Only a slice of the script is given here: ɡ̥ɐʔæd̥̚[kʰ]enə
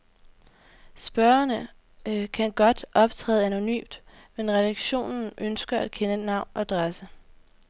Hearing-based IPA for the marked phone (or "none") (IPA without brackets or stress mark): kʰ